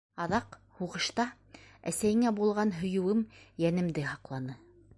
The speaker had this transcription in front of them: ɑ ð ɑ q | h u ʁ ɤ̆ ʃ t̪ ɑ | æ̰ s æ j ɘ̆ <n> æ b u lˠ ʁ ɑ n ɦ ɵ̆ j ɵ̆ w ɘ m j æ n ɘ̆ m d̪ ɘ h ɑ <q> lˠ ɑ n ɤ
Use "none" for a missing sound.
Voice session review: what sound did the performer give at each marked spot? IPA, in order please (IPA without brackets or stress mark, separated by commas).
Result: ŋ, q